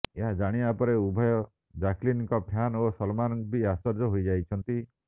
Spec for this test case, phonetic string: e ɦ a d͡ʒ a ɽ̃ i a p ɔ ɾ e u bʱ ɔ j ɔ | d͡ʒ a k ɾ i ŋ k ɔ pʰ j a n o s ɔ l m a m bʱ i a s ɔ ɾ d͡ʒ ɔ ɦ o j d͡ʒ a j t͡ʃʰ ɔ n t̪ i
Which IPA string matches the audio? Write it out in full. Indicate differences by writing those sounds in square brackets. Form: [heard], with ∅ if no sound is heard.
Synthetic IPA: e ɦ a d͡ʒ a ɽ̃ i a p ɔ ɾ e u bʱ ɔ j ɔ | d͡ʒ a k [l] i [n] k ɔ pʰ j a n o s ɔ l m a [n] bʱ i a s ɔ ɾ d͡ʒ ɔ ɦ o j d͡ʒ a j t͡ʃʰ ɔ n t̪ i